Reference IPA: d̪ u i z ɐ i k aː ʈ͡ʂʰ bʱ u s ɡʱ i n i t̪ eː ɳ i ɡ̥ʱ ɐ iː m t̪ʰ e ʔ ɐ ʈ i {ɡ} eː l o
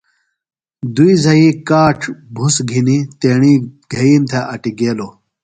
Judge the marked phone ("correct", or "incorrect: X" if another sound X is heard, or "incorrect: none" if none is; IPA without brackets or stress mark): correct